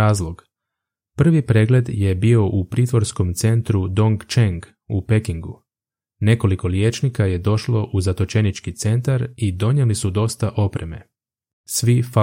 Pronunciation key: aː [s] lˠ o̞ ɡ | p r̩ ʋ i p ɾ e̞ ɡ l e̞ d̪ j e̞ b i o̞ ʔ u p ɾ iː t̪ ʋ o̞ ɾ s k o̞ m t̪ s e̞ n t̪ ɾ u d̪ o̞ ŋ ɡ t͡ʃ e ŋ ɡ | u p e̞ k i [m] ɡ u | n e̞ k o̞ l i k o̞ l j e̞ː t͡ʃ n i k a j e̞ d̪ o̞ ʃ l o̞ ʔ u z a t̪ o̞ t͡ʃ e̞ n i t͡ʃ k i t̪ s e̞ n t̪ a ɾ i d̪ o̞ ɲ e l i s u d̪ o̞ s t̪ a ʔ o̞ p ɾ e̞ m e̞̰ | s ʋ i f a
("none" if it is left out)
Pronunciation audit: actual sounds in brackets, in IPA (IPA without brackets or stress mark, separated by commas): z, ŋ